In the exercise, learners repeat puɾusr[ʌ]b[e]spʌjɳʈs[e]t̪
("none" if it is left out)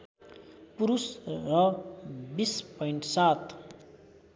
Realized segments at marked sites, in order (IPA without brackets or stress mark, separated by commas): ʌ, i, a